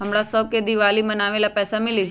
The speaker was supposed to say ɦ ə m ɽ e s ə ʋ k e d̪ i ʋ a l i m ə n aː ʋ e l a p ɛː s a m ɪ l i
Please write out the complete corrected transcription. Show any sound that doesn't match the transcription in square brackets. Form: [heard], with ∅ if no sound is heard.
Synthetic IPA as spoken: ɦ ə m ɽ [a] s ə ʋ k e d̪ i ʋ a l i m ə n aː ʋ e l a p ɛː s a m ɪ l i